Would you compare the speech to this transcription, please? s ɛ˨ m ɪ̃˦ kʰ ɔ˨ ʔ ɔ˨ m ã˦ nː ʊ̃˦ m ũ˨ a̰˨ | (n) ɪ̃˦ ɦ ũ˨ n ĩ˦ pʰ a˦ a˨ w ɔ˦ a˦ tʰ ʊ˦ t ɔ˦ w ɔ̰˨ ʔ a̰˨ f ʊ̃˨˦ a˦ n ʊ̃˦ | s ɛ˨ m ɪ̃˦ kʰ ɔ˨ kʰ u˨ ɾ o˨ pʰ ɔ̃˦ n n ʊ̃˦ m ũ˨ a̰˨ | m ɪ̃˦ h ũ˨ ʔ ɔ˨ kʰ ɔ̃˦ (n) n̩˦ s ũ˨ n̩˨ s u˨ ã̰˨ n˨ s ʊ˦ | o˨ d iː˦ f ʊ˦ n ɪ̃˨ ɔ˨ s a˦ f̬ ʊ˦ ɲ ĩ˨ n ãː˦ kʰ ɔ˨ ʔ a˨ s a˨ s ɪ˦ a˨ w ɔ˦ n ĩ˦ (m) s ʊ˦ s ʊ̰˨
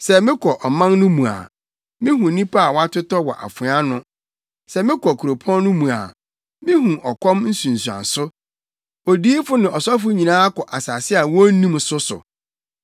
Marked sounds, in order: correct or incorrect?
incorrect, incorrect, correct

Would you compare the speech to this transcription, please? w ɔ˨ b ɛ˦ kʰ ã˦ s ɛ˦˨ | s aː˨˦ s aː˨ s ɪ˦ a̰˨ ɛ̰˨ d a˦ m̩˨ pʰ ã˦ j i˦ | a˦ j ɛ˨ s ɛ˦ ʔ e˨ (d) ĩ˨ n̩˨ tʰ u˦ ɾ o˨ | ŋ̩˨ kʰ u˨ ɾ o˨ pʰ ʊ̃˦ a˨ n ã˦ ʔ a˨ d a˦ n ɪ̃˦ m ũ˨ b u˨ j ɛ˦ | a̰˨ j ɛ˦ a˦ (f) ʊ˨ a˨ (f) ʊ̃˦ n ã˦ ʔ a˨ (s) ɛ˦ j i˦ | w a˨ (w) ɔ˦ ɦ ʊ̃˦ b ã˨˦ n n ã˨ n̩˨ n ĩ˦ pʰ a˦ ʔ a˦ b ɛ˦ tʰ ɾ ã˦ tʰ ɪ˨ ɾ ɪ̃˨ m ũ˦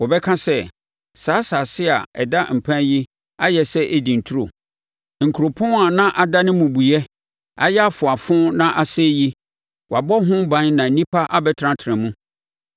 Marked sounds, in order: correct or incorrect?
correct, correct, correct, correct, incorrect

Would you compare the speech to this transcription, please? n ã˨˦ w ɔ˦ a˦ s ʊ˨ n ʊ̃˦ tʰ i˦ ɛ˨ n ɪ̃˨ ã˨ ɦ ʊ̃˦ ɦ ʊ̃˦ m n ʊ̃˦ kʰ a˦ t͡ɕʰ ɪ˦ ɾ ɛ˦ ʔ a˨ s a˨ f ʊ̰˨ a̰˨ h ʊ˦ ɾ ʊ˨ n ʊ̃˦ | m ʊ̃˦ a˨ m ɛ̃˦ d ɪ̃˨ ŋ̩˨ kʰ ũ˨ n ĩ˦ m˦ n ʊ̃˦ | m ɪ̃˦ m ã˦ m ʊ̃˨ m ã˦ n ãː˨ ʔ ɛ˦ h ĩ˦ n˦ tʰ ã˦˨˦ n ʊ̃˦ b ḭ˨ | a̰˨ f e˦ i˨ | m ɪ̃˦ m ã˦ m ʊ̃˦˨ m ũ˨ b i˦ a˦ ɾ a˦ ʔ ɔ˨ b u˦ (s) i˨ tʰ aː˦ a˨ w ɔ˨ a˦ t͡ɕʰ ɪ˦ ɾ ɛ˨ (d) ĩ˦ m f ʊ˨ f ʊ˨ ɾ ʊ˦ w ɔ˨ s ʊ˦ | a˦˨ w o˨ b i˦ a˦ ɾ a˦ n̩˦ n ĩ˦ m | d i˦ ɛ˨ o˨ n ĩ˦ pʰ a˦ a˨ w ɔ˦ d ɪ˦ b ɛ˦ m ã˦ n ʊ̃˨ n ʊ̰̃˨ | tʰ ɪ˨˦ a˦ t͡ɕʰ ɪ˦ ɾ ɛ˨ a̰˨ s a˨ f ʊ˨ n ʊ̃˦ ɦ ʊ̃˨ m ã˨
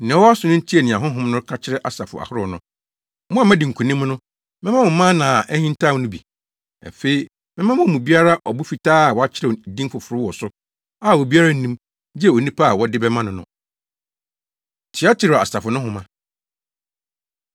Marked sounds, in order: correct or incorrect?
incorrect, correct

